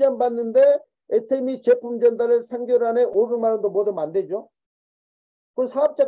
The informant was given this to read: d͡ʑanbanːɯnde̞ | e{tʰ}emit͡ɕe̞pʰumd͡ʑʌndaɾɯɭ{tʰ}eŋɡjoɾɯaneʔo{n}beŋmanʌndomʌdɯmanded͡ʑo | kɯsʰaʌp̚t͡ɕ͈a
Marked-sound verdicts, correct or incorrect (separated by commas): correct, incorrect, incorrect